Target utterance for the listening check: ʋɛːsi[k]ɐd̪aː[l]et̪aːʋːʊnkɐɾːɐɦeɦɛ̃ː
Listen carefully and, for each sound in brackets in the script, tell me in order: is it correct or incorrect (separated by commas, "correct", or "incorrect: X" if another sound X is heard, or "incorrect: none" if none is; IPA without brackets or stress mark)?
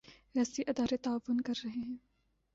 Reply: incorrect: ʔ, incorrect: ɾ